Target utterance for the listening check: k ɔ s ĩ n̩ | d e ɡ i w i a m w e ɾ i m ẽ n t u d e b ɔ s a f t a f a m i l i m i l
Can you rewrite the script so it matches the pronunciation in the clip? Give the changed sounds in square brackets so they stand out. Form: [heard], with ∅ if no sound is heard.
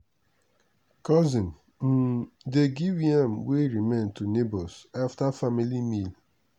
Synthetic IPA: k ɔ [z] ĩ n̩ | d e ɡ i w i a m w e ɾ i m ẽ n t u [n] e b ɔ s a f t a f a m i l i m i l